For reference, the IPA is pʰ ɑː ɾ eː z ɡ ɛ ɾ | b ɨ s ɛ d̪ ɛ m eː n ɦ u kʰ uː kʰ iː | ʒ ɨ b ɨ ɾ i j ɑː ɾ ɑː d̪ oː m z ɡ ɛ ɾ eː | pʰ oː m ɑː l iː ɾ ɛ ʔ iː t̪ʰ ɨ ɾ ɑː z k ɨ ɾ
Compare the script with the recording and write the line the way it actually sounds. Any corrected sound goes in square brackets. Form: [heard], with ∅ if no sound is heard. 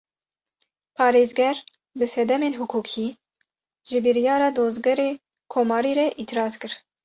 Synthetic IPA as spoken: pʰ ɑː ɾ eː z ɡ ɛ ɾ | b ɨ s ɛ d̪ ɛ m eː n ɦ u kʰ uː kʰ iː | ʒ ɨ b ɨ ɾ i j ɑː ɾ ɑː d̪ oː [∅] z ɡ ɛ ɾ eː | [kʰ] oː m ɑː [ɾ] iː ɾ ɛ ʔ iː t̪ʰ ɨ ɾ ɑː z k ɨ ɾ